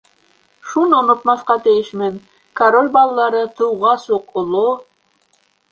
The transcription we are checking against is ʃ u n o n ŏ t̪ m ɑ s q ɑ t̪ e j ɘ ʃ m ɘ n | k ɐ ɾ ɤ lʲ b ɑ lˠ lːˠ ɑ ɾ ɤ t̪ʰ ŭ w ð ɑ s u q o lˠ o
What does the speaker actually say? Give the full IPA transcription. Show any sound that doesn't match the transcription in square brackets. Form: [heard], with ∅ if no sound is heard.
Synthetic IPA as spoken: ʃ u n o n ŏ t̪ m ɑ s q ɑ t̪ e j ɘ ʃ m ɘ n | k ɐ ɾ [o] lʲ b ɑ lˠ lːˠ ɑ ɾ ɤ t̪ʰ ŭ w [ʁ] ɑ s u q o lˠ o